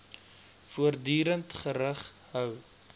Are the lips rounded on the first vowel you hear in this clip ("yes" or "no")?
yes